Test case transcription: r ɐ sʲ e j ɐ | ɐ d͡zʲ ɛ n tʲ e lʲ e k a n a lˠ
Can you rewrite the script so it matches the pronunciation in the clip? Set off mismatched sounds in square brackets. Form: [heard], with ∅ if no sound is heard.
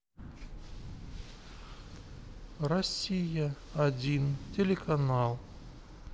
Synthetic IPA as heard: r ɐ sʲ [i] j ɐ | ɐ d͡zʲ [i] n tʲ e lʲ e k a n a lˠ